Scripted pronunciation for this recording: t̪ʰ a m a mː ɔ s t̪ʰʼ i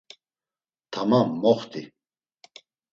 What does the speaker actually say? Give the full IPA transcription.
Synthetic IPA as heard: t̪ʰ a m a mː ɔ χ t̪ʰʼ i